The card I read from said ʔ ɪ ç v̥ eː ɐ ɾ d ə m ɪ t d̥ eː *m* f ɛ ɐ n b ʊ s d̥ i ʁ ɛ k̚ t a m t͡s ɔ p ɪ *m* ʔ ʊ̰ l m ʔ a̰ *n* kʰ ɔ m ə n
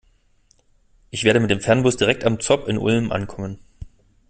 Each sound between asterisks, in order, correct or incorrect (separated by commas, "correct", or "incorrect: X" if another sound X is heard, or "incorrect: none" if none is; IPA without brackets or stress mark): correct, incorrect: n, correct